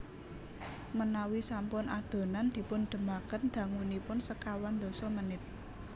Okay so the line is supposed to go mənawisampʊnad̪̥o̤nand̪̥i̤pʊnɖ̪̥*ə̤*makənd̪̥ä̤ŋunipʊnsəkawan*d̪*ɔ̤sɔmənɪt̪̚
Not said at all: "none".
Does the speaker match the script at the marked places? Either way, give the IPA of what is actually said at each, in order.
ə̤, d̪

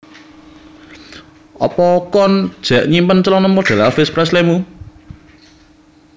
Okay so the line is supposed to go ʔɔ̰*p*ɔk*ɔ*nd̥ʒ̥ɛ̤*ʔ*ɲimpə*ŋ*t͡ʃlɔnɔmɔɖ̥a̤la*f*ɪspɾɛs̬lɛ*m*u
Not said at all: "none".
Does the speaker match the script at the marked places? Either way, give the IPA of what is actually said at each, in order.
p, ɔ, ʔ, n, f, m

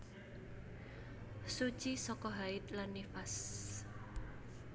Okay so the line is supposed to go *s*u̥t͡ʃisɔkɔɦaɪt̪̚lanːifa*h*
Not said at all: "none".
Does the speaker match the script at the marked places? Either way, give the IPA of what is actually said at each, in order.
s, s

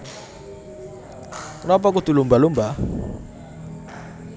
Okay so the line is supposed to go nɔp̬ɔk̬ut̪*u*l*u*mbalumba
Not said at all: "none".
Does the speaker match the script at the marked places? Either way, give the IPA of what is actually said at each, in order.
u, u

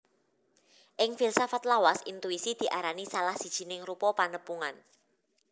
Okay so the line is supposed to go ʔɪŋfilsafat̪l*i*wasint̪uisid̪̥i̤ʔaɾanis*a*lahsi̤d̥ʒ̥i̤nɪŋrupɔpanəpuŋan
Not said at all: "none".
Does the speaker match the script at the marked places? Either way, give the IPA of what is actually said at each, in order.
a, a

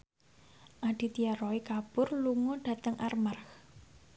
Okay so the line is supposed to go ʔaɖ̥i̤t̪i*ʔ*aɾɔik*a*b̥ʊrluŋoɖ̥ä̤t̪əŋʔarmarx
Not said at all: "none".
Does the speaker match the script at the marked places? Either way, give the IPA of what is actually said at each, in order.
none, a

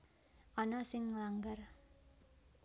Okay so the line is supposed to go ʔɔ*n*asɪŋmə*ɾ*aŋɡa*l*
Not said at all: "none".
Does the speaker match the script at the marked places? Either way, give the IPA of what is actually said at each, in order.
n, l, r

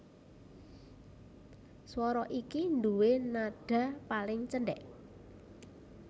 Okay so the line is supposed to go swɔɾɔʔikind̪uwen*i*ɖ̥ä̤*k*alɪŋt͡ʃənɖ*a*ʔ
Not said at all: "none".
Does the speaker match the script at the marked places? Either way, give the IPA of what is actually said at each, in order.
a, p, ɛ

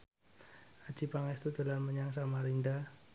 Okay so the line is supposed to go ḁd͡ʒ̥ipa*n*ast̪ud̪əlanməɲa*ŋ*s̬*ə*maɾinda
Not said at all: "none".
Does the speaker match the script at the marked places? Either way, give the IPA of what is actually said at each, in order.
ŋ, ŋ, a

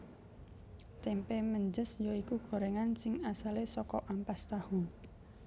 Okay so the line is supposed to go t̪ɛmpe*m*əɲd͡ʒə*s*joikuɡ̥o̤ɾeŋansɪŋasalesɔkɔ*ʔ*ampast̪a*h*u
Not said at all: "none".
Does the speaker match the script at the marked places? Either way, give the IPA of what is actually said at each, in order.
m, s, ʔ, h

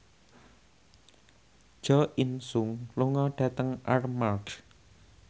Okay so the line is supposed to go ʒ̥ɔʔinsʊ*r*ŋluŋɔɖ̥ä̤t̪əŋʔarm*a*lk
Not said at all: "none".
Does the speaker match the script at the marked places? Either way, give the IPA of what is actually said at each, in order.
none, a

